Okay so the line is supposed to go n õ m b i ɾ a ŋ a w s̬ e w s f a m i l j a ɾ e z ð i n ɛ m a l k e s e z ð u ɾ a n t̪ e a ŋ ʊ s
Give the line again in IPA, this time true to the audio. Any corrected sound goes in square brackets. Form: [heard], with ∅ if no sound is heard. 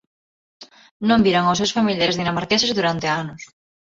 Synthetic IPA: n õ m b i ɾ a ŋ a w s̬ e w s f a m i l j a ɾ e z ð i n [a] m a [ɾ] k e s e z ð u ɾ a n t̪ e a [n] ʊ s